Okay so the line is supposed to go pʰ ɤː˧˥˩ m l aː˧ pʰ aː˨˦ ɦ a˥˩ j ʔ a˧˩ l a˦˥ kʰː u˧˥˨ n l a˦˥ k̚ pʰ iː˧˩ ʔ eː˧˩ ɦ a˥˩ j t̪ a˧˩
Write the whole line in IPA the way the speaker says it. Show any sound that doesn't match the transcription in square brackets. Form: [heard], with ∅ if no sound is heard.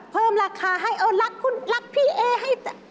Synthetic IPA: pʰ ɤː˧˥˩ m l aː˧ [kʰ] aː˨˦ ɦ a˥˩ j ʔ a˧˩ l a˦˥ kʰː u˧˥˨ n l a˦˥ k̚ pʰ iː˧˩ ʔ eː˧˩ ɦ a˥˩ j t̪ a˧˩